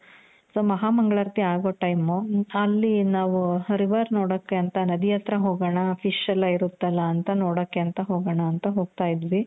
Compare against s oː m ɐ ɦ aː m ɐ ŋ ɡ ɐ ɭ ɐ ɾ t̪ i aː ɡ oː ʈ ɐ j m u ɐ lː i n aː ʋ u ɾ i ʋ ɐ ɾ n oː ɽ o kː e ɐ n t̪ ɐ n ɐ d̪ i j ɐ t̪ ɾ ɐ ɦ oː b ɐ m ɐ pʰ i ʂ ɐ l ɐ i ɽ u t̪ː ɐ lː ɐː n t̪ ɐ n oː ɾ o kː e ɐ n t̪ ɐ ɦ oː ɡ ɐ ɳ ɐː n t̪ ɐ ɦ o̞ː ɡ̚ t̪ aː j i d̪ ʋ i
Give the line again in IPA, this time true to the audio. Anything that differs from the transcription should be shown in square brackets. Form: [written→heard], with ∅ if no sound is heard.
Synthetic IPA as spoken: s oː m ɐ ɦ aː m ɐ ŋ ɡ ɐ ɭ ɐ ɾ t̪ i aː ɡ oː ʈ ɐ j m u ɐ lː i n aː ʋ u ɾ i ʋ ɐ ɾ n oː ɽ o kː e ɐ n t̪ ɐ n ɐ d̪ i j ɐ t̪ ɾ ɐ ɦ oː [b→ɡ] ɐ [m→ɳ] ɐ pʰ i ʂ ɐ l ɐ i [ɽ→ɾ] u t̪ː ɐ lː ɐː n t̪ ɐ n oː [ɾ→ɽ] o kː e ɐ n t̪ ɐ ɦ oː ɡ ɐ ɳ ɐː n t̪ ɐ ɦ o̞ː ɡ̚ t̪ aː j i d̪ ʋ i

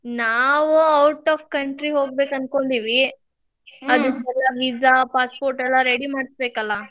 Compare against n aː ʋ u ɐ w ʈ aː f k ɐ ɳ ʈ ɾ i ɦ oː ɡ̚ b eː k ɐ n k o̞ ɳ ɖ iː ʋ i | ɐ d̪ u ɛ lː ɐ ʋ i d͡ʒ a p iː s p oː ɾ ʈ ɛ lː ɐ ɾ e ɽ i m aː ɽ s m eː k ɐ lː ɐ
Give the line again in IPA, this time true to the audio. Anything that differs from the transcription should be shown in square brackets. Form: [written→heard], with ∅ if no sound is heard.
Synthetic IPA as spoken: n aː ʋ u ɐ w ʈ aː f k ɐ ɳ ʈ ɾ i ɦ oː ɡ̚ b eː k ɐ n k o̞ ɳ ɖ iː ʋ i | ɐ d̪ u ɛ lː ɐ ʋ i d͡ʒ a p [iː→aː] s p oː ɾ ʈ ɛ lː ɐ ɾ e ɽ i m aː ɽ s [m→b] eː k ɐ lː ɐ

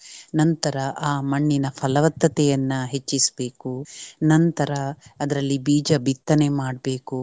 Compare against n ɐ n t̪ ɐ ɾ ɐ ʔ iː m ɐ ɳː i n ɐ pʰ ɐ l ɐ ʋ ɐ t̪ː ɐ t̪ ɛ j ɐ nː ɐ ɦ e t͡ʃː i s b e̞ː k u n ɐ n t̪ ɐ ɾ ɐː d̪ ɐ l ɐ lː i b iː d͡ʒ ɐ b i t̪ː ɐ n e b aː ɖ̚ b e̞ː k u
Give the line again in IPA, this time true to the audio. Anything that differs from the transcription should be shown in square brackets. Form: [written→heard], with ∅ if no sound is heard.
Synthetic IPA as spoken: n ɐ n t̪ ɐ ɾ ɐ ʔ [iː→aː] m ɐ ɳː i n ɐ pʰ ɐ l ɐ ʋ ɐ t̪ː ɐ t̪ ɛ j ɐ nː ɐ ɦ e t͡ʃː i s b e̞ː k u n ɐ n t̪ ɐ ɾ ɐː d̪ ɐ [l→ɾ] ɐ lː i b iː d͡ʒ ɐ b i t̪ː ɐ n e [b→m] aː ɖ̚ b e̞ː k u

